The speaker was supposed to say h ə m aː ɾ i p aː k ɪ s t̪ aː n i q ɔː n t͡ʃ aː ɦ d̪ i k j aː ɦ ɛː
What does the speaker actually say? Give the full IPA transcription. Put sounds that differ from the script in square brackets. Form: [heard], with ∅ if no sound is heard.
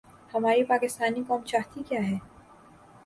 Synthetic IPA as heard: h [ɐ] m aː ɾ i p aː k ɪ s t̪ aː n i [k] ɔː [m] t͡ʃ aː ɦ [t̪] i k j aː ɦ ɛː